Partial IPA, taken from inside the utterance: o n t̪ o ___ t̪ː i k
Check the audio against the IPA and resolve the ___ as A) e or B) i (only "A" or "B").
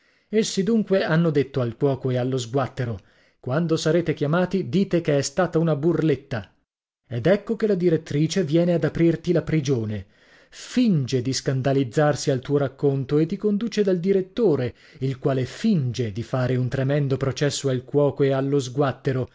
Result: A